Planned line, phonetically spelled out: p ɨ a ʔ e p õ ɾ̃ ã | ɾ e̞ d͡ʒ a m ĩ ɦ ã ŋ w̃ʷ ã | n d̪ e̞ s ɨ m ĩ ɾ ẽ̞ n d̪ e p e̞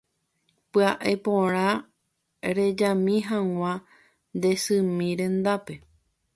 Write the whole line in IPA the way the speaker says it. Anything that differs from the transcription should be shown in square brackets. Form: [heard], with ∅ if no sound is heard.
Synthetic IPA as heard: p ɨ a ʔ e p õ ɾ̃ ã | ɾ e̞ d͡ʒ a m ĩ ɦ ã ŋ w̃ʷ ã | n d̪ e̞ s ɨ m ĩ ɾ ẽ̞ n d̪ [a] p e̞